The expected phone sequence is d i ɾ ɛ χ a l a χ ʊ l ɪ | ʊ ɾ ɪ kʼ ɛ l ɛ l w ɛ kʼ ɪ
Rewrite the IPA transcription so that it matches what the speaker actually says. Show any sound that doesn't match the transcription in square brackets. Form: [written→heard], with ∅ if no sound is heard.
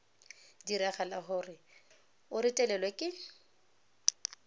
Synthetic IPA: d i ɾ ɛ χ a l a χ ʊ [l→r] ɪ | ʊ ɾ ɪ [kʼ→tʼ] ɛ l ɛ l w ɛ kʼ ɪ